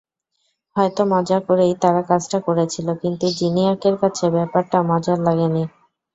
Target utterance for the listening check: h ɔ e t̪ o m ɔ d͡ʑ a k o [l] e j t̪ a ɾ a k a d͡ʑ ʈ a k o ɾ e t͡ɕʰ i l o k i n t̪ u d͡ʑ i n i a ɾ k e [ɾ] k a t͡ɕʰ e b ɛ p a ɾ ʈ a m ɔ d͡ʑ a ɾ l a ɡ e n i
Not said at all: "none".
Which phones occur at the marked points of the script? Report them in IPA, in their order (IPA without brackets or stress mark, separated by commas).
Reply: ɾ, ɾ